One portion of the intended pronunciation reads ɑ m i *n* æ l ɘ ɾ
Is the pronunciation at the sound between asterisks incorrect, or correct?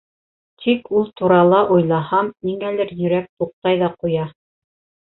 incorrect